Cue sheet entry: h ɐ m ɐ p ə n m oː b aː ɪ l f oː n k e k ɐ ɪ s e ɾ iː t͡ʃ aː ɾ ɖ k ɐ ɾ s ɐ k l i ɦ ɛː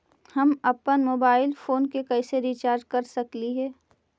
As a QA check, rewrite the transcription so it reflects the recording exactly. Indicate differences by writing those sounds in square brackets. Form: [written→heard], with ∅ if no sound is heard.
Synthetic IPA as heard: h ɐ m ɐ p ə n m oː b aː ɪ l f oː n k e k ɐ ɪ s e ɾ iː t͡ʃ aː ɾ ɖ k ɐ ɾ s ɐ k l i ɦ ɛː